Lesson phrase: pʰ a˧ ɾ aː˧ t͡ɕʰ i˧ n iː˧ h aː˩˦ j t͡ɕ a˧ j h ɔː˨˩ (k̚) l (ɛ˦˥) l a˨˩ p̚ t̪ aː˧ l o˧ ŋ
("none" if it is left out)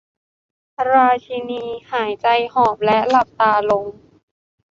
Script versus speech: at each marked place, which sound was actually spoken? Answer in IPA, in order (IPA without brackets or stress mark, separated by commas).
p̚, ɛ˦˥